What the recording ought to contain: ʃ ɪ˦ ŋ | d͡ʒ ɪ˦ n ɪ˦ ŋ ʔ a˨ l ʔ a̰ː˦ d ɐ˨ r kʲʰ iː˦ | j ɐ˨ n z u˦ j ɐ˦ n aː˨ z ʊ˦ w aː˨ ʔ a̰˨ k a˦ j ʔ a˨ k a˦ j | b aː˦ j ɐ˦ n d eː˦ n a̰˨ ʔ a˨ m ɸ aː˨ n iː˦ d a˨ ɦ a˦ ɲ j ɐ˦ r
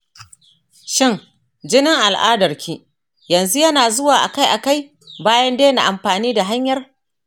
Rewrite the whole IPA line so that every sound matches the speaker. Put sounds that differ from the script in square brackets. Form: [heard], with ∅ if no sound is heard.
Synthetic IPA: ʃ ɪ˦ ŋ | d͡ʒ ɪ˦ n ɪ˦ ŋ ʔ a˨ l ʔ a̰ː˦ d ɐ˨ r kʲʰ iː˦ | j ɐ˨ n z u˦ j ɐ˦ n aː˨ z ʊ˦ w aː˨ ʔ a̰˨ k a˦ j ʔ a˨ k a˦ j | b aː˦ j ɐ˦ n d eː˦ n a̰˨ ʔ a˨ m ɸ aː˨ n iː˦ d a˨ ɦ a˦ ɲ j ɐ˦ r